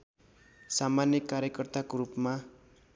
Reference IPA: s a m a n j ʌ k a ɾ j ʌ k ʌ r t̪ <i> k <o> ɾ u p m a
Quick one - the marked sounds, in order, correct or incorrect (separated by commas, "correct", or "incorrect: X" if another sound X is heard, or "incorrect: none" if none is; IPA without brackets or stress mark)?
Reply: incorrect: a, correct